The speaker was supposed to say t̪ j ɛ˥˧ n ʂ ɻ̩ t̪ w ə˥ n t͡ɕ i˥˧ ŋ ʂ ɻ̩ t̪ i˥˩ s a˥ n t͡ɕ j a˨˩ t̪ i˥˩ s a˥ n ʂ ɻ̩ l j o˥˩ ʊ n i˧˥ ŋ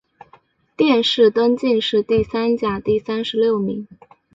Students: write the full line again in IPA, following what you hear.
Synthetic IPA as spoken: t̪ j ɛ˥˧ n ʂ ɻ̩ t̪ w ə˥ n t͡ɕ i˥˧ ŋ ʂ ɻ̩ t̪ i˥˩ s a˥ n t͡ɕ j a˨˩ t̪ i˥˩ s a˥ n ʂ ɻ̩ l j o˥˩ ʊ m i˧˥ ŋ